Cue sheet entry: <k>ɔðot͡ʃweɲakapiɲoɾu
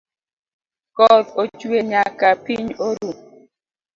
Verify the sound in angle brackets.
correct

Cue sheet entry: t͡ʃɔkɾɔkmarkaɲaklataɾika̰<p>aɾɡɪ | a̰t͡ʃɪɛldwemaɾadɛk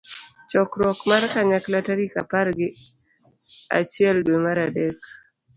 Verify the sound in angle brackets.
correct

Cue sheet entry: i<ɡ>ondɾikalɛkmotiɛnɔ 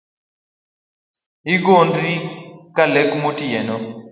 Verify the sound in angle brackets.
correct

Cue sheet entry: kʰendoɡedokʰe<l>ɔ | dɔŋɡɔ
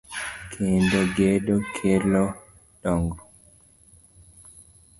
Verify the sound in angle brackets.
correct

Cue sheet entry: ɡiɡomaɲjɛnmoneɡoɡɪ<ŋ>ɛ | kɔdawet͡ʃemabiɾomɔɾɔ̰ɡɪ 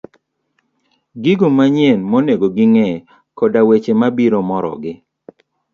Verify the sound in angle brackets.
correct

